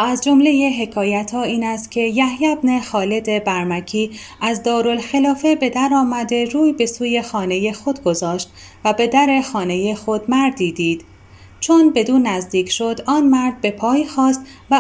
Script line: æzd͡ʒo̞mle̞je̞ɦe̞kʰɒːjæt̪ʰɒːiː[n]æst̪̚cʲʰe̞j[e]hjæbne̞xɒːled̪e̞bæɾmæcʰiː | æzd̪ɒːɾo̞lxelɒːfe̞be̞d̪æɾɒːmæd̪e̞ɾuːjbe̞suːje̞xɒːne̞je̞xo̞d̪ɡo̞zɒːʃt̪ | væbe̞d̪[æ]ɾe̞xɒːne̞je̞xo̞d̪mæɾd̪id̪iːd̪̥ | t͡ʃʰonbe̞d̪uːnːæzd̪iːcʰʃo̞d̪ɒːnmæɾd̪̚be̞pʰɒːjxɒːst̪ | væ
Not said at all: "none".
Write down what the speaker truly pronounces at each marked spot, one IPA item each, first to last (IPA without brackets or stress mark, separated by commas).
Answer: n, æ, æ